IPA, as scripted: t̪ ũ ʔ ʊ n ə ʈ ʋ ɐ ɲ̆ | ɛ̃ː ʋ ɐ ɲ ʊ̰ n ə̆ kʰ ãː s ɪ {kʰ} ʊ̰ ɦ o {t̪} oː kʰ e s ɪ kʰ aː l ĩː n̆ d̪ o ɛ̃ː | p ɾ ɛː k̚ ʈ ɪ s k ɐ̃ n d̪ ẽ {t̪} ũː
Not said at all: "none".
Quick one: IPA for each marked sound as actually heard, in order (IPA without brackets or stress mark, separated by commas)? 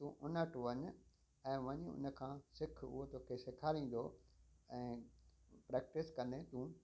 kʰ, t̪, t̪